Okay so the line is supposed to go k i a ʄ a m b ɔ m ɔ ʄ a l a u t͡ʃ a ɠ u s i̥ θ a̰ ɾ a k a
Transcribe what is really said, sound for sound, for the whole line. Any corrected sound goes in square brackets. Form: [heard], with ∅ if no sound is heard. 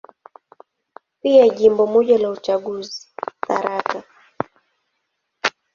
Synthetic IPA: [p] i a ʄ [i] m b ɔ m ɔ ʄ a l a u t͡ʃ a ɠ u [z] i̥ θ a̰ ɾ a k a